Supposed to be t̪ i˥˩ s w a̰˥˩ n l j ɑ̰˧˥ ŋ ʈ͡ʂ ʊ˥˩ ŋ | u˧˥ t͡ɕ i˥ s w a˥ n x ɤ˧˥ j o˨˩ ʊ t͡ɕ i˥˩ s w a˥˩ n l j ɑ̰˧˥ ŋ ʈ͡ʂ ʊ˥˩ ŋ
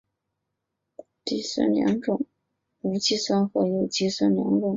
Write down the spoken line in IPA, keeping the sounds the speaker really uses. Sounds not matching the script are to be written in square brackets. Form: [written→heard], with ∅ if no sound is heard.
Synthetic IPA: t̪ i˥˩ s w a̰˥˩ n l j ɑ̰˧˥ ŋ ʈ͡ʂ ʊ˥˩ ŋ | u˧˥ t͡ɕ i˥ s w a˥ n x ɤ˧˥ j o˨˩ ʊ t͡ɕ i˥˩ s w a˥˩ n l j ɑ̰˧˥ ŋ ʈ͡ʂ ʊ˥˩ ŋ

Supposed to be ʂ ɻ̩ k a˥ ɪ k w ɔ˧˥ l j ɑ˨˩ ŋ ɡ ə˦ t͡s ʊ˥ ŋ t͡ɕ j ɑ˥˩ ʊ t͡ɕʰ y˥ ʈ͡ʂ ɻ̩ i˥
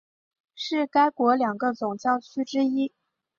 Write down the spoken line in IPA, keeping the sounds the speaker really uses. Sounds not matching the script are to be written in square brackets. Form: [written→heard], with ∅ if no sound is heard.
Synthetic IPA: ʂ ɻ̩ k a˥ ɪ k w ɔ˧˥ l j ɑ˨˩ ŋ ɡ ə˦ t͡s [ʊ˥→ʊ˨˩] ŋ t͡ɕ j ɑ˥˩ ʊ t͡ɕʰ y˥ ʈ͡ʂ ɻ̩ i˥

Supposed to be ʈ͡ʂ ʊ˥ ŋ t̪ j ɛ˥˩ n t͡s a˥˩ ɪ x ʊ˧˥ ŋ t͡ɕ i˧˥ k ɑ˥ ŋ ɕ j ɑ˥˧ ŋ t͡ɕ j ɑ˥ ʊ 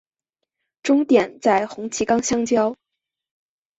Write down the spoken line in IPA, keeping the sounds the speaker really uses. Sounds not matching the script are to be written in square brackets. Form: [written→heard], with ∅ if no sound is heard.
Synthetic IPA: ʈ͡ʂ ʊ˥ ŋ t̪ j [ɛ˥˩→ɛ˨˩] n t͡s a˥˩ ɪ x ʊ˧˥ ŋ [t͡ɕ→t͡ɕʰ] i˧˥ k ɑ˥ ŋ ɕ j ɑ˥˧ ŋ t͡ɕ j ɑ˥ ʊ

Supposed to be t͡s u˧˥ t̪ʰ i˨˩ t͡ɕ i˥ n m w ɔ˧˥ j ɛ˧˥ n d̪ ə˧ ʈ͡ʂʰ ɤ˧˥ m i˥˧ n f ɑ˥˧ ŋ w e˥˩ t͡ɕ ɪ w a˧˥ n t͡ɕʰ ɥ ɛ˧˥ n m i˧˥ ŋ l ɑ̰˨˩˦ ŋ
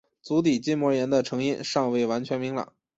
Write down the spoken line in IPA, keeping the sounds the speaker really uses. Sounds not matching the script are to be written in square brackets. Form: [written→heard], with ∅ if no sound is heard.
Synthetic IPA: t͡s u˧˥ [t̪ʰ→t̪] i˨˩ t͡ɕ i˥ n m w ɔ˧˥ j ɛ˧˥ n d̪ ə˧ ʈ͡ʂʰ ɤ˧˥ [m→ŋ] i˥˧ n [f→ʂ] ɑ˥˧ ŋ w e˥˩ [t͡ɕ→∅] ɪ w a˧˥ n t͡ɕʰ ɥ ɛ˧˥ n m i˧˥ ŋ l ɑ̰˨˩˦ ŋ

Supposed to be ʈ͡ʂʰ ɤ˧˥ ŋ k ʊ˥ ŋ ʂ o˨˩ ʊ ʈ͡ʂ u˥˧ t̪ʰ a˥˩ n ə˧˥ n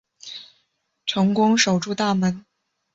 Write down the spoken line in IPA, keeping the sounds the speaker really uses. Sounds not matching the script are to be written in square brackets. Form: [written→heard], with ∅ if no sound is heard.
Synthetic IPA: ʈ͡ʂʰ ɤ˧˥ ŋ k ʊ˥ ŋ ʂ o˨˩ ʊ ʈ͡ʂ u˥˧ [t̪ʰ→t̪] a˥˩ [n→m] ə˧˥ n

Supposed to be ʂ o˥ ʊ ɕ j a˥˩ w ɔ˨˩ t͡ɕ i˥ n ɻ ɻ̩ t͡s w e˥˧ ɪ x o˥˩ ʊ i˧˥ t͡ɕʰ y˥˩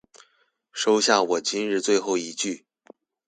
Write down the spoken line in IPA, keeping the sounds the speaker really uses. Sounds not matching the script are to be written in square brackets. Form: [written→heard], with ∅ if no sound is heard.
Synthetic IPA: ʂ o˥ ʊ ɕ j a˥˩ w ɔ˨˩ t͡ɕ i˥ n ɻ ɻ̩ t͡s w e˥˧ ɪ x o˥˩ ʊ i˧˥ [t͡ɕʰ→t͡ɕ] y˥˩

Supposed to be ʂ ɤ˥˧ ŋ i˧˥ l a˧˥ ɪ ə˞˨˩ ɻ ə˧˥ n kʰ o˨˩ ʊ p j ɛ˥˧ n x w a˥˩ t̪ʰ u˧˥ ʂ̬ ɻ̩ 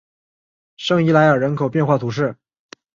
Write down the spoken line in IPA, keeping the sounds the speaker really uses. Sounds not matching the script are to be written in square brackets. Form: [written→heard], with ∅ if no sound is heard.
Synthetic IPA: ʂ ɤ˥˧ ŋ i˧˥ l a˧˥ ɪ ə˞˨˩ ɻ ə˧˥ n kʰ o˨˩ ʊ p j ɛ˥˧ n x w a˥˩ t̪ʰ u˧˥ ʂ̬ ɻ̩

